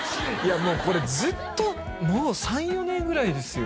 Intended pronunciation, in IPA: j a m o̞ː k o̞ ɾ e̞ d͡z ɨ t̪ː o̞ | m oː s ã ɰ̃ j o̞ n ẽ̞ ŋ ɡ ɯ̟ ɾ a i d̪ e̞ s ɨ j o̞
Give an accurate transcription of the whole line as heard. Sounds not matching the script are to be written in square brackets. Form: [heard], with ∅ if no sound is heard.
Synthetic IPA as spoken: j a m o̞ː k o̞ ɾ e̞ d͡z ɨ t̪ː o̞ | m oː s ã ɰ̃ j o̞ n ẽ̞ ŋ ɡ ɯ̟ ɾ a i d̪ e̞ s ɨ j o̞